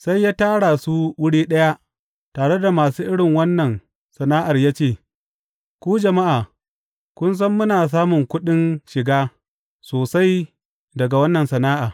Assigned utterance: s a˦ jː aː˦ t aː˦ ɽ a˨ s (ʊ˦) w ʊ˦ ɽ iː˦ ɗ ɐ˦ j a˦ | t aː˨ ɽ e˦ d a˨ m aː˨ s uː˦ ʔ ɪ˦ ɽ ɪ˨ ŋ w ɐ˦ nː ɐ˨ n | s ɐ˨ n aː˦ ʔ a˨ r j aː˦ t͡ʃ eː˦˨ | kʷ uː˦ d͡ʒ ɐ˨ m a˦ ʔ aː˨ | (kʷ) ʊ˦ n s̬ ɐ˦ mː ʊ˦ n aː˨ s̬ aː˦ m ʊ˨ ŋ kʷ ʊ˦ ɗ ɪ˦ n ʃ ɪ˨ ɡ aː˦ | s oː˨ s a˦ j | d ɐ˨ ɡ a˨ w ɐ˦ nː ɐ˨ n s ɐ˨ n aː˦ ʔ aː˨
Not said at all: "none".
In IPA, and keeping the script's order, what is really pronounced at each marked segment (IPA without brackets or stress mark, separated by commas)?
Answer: u˦, kʷ